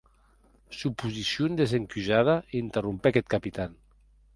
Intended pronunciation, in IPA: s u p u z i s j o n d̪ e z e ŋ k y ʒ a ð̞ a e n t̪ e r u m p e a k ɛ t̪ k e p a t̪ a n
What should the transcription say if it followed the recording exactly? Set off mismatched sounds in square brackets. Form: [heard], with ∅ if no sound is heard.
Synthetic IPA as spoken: s u p u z i s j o n d̪ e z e ŋ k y ʒ a ð̞ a [i] n t̪ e r u m p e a k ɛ t̪ k [a] p [i] t̪ a n

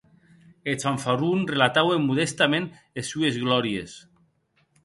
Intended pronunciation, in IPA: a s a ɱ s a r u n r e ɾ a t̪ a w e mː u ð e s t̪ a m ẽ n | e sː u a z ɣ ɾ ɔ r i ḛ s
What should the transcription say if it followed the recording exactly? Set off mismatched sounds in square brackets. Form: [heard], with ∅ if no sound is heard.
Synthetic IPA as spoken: [e] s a ɱ [f] a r u n r e [l] a t̪ a w e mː u ð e s t̪ a m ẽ n | e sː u [e] z ɣ [l] ɔ [ɾ] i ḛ s

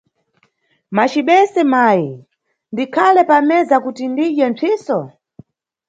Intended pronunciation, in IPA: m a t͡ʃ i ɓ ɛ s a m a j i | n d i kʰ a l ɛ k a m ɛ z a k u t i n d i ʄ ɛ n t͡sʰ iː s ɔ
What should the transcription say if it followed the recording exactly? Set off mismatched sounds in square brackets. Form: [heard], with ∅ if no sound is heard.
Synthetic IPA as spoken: m a t͡ʃ i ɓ ɛ s [ɛ] m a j i | n d i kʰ a l ɛ [p] a m ɛ z a k u t i n d i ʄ ɛ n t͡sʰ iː s ɔ

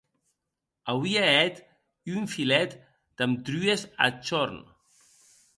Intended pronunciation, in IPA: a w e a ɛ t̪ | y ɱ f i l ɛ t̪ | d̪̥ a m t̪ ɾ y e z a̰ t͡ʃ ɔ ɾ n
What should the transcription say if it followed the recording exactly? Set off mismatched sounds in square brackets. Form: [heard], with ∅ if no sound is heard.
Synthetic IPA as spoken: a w [i] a ɛ t̪ | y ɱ f i l ɛ t̪ | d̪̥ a m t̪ ɾ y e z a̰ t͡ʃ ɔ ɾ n

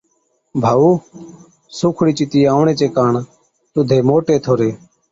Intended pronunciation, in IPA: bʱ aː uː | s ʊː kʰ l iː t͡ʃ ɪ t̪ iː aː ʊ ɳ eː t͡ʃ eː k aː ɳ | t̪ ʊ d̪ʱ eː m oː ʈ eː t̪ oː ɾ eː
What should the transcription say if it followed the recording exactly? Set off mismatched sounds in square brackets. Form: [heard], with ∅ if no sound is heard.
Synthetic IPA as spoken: bʱ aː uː | s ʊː kʰ [ɽ] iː t͡ʃ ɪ t̪ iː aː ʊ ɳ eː t͡ʃ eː k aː ɳ | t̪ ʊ d̪ʱ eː m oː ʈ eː [t̪ʰ] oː ɾ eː

